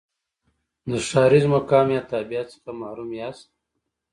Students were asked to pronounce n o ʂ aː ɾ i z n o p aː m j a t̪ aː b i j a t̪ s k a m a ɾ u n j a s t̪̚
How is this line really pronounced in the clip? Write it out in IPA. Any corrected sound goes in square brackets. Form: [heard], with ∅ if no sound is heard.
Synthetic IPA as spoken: n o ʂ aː ɾ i z [m] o [k] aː m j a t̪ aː b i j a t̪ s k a m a ɾ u [m] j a s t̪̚